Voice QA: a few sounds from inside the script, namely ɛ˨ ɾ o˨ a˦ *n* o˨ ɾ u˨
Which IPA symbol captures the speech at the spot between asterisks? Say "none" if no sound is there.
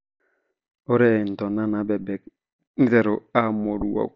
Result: m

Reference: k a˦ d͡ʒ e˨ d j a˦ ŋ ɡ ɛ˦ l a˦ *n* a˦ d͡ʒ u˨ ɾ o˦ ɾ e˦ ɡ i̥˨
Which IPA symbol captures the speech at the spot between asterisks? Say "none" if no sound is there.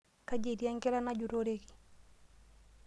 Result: n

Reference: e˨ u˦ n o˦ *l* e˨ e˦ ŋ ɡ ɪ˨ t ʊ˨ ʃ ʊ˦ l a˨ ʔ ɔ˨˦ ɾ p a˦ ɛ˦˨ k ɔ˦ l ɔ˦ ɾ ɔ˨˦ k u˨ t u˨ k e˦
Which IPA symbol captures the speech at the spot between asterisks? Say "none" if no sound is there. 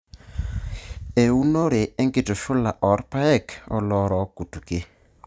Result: ɾ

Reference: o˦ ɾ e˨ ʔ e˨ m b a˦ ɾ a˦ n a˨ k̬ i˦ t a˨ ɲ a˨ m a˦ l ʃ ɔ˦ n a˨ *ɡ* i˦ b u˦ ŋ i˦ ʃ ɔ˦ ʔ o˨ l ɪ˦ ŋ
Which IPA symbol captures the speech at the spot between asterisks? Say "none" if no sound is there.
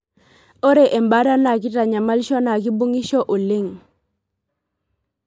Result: k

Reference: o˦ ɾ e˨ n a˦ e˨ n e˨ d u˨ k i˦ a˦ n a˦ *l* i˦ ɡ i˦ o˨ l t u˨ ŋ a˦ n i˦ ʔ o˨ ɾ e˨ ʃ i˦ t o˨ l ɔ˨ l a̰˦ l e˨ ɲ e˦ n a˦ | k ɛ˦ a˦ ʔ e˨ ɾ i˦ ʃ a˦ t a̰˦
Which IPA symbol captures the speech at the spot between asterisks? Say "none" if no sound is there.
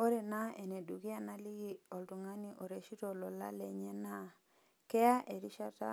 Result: l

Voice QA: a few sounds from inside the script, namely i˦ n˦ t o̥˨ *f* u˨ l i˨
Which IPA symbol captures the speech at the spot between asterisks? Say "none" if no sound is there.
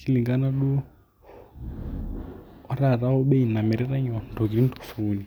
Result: f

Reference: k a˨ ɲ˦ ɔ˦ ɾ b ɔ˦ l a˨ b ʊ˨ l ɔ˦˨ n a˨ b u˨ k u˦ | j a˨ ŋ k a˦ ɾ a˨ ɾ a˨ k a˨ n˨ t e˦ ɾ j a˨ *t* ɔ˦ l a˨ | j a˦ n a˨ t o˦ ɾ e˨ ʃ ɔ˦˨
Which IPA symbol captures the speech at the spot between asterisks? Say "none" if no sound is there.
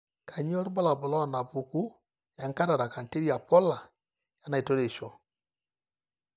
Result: p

